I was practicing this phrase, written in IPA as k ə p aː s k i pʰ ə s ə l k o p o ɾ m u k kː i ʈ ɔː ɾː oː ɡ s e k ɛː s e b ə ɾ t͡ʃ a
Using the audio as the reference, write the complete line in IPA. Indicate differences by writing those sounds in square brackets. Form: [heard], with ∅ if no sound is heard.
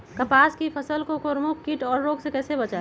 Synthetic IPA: k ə p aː s k i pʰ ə s ə l k o [k] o ɾ m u k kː i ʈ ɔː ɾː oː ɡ s e k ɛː s e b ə [∅] t͡ʃ a

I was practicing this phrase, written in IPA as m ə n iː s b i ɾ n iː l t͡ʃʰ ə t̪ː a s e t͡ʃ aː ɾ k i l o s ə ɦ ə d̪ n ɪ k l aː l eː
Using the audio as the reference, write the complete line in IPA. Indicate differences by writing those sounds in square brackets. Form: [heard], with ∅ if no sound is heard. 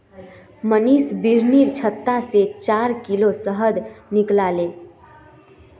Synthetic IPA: m ə n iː s b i ɾ n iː [ɾ] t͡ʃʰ ə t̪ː a s e t͡ʃ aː ɾ k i l o s ə ɦ ə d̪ n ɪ k l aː l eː

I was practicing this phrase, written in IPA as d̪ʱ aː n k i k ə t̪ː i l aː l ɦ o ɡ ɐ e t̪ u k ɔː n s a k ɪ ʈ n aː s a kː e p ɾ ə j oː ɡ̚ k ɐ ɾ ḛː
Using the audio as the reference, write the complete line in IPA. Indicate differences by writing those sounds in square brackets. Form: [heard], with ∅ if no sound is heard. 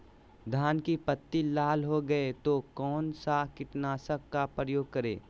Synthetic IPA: d̪ʱ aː n k i [p] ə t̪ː i l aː l ɦ o ɡ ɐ e t̪ [o] k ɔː n s a k ɪ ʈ n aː s [ə] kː [a] p ɾ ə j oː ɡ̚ k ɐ ɾ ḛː

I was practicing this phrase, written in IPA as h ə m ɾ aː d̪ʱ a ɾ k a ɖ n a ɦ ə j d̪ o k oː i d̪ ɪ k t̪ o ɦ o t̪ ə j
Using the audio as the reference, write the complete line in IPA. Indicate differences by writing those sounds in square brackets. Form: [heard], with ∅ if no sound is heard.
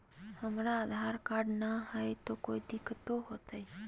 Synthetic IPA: h ə m ɾ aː d̪ʱ a ɾ k a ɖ n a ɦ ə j [t̪] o k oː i d̪ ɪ k t̪ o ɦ o t̪ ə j

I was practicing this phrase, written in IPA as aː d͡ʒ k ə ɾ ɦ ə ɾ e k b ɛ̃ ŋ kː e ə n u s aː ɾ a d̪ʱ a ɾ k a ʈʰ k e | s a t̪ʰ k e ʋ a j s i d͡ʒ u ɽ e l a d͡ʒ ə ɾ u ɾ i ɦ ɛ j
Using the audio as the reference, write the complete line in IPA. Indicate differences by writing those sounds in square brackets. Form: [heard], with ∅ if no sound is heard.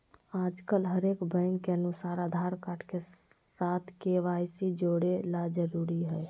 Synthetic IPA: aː d͡ʒ k ə [l] ɦ ə ɾ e k b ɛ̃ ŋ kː e ə n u s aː ɾ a d̪ʱ a ɾ k a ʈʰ k e | s a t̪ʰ k e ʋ a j s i d͡ʒ [o] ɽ e l a d͡ʒ ə ɾ u ɾ i ɦ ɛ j

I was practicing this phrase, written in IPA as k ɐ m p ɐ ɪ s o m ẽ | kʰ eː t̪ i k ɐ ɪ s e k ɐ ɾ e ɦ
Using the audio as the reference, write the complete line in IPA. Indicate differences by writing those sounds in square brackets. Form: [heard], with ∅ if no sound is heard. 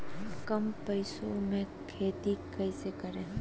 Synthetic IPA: k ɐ m p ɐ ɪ s o m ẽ | kʰ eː t̪ i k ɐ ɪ s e k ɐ ɾ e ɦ

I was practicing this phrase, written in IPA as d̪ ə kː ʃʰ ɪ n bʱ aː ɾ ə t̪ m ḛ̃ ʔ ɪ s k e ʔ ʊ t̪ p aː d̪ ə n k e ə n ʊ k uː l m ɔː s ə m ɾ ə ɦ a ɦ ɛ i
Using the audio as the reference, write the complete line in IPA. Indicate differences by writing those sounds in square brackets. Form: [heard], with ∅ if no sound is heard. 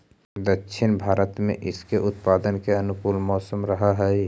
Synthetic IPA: d̪ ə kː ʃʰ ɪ n bʱ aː ɾ ə t̪ m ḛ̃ ʔ ɪ s k e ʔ ʊ t̪ p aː d̪ ə n k e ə n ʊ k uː l m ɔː s ə m ɾ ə ɦ a ɦ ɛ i

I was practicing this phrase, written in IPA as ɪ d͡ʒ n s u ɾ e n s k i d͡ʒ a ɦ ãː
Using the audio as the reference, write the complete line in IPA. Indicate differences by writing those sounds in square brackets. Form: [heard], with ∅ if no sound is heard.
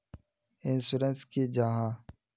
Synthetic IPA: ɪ [∅] n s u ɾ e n s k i d͡ʒ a ɦ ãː

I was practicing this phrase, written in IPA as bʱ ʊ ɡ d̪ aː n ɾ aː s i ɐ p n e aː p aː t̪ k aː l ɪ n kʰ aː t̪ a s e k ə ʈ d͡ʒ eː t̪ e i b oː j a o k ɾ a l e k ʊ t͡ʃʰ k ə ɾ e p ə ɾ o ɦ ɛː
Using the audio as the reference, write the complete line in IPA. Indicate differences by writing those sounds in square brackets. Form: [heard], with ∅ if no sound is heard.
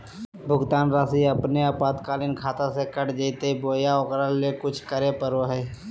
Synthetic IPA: bʱ ʊ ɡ [t̪] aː n ɾ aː s i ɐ p n e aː p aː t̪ k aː l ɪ n kʰ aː t̪ a s e k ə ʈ d͡ʒ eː t̪ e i b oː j a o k ɾ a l e k ʊ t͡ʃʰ k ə ɾ e p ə ɾ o ɦ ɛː

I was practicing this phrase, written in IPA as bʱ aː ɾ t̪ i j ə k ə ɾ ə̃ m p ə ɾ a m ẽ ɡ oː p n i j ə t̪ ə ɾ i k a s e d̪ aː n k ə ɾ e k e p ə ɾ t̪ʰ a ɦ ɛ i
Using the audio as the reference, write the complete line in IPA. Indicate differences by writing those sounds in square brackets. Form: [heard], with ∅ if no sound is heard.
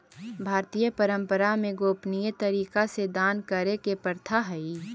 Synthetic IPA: bʱ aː ɾ t̪ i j ə [p] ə ɾ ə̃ m p ə ɾ a m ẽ ɡ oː p n i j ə t̪ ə ɾ [iː] k a s e d̪ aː n k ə ɾ e k e p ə ɾ t̪ʰ a ɦ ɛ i

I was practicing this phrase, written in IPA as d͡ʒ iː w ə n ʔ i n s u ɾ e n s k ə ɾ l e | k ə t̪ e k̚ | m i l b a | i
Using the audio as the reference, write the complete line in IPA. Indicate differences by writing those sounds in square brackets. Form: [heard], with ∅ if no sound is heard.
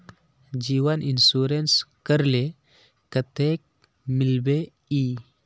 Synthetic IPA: d͡ʒ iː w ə n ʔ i n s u ɾ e n s k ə ɾ l e | k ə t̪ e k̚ | m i l b [e] | i

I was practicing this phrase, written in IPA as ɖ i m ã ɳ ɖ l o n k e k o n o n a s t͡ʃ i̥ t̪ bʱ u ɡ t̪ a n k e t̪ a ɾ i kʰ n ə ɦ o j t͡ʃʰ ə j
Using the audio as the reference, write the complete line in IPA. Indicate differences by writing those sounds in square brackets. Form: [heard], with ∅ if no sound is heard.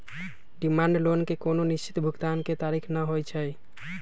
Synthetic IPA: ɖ i m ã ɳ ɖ l o n k e k o n o n [i] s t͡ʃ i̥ t̪ bʱ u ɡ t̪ a n k e t̪ a ɾ i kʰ n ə ɦ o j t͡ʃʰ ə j

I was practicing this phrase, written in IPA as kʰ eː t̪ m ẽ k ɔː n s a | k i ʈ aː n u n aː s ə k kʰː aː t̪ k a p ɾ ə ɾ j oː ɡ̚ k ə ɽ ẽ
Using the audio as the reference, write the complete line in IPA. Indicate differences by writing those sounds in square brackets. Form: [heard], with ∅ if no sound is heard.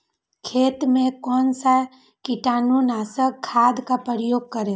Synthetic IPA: kʰ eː t̪ m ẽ k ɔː n s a | k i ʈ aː n u n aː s ə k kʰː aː [d̪] k a p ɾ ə ɾ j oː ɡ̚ k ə [ɾ] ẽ

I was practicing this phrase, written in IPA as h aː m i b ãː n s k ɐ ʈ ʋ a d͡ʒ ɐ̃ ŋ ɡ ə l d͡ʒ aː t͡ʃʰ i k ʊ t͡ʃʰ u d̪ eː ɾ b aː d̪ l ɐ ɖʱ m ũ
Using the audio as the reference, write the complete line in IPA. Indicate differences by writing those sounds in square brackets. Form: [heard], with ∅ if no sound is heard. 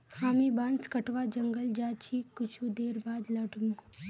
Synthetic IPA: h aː m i b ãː n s k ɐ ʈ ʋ a d͡ʒ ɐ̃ ŋ ɡ ə l d͡ʒ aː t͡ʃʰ i k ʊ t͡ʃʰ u d̪ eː ɾ b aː d̪ l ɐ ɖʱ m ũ

